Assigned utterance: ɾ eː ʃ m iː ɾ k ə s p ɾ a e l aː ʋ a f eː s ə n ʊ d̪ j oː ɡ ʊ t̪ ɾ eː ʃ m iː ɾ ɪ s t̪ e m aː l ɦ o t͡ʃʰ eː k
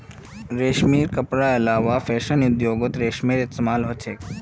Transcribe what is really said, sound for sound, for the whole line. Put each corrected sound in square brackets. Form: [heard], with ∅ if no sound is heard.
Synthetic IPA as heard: ɾ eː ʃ m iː ɾ k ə [∅] p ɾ a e l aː ʋ a f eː [ʃ] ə n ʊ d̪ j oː ɡ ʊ t̪ ɾ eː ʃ m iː ɾ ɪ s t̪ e m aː l ɦ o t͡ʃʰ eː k